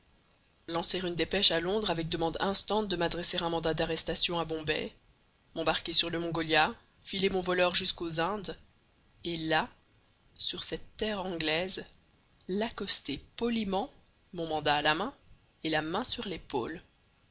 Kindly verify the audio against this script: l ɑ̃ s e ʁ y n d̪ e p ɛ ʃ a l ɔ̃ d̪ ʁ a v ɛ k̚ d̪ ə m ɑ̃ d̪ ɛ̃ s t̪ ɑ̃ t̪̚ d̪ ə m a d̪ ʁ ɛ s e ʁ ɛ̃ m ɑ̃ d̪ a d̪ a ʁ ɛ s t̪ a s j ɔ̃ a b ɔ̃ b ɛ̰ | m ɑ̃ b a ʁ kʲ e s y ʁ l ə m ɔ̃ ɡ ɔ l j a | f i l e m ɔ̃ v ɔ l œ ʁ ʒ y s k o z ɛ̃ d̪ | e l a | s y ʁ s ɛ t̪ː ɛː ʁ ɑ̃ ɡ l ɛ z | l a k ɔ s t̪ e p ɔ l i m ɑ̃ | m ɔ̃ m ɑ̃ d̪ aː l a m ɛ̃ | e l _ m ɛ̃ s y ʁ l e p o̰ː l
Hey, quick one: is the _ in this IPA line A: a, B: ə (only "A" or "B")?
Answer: A